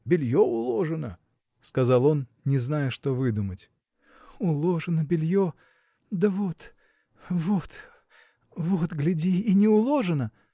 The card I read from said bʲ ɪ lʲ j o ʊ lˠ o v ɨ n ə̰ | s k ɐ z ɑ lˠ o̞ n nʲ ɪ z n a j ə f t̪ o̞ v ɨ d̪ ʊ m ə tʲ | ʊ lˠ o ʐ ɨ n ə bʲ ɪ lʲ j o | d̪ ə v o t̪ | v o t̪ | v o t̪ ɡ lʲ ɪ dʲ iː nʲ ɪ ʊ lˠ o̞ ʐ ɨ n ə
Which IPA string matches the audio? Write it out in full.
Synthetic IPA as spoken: bʲ ɪ lʲ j o ʊ lˠ o ʐ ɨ n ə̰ | s k ɐ z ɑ lˠ o̞ n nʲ ɪ z n a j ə ʂ t̪ o̞ v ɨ d̪ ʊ m ə tʲ | ʊ lˠ o ʐ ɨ n ə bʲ ɪ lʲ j o | d̪ ə v o t̪ | v o t̪ | v o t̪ ɡ lʲ ɪ dʲ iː nʲ ɪ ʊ lˠ o̞ ʐ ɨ n ə